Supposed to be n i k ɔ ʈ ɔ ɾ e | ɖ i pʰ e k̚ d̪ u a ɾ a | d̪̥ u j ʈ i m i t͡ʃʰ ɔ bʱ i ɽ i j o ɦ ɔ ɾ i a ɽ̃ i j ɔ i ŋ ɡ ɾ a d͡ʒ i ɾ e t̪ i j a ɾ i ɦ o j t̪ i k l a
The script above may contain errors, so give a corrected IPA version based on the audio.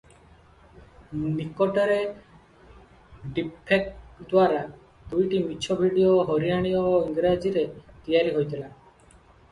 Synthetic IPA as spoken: n i k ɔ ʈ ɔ ɾ e | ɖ i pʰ e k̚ d̪ w a ɾ a | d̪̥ u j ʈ i m i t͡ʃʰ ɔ bʱ i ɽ i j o ɦ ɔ ɾ i a ɽ̃ i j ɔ i ŋ ɡ ɾ a d͡ʒ i ɾ e t̪ i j a ɾ i ɦ o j t̪ i l a